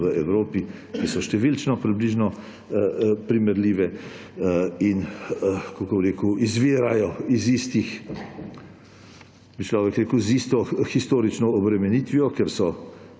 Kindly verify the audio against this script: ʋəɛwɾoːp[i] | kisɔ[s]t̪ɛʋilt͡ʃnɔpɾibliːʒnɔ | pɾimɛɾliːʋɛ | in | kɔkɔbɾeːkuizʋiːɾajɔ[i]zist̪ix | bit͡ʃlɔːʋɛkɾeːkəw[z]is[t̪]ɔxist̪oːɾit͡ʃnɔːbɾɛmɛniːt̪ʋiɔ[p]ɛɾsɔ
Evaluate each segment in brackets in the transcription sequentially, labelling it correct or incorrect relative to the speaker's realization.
correct, incorrect, correct, correct, correct, incorrect

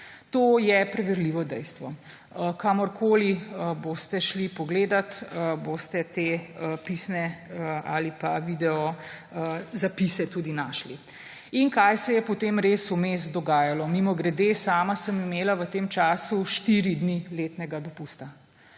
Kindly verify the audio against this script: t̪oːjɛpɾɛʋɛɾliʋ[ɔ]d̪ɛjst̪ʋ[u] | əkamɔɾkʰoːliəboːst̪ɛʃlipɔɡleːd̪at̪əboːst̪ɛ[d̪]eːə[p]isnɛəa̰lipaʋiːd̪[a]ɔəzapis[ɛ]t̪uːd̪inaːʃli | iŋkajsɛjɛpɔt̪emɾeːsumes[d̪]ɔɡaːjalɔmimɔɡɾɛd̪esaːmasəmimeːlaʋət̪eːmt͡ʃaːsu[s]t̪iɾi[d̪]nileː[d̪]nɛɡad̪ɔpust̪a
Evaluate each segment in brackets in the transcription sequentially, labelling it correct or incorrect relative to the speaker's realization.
correct, incorrect, incorrect, correct, incorrect, correct, correct, incorrect, correct, incorrect

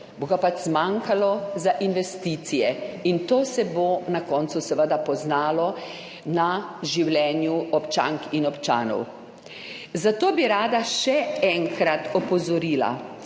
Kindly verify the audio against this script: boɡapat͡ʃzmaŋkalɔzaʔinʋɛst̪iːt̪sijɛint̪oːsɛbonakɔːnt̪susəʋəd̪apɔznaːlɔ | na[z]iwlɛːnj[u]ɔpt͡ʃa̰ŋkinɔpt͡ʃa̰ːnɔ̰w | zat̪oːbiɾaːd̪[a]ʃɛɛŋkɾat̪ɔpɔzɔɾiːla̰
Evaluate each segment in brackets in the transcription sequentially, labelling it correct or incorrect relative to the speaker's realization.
incorrect, correct, correct

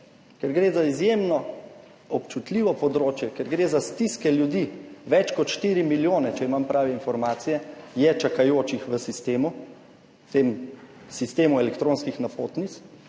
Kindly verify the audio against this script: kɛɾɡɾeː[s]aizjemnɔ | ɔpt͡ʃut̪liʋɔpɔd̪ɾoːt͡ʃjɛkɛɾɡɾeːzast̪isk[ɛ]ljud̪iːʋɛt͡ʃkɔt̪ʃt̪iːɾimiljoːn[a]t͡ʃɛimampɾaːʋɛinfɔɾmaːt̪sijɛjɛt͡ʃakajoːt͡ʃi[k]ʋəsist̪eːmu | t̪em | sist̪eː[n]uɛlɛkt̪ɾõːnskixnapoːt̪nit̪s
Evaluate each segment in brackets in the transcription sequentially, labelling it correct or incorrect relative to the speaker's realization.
incorrect, correct, incorrect, incorrect, incorrect

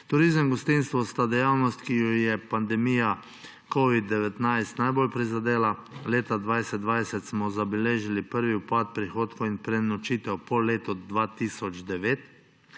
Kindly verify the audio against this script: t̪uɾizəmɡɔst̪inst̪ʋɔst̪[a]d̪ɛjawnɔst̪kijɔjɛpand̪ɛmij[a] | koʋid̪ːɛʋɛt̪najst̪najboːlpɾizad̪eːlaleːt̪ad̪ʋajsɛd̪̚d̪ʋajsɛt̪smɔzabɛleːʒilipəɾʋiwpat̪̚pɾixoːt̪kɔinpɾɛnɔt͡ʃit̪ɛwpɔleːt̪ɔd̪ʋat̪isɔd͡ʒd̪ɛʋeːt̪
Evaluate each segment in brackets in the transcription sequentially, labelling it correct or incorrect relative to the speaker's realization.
correct, correct

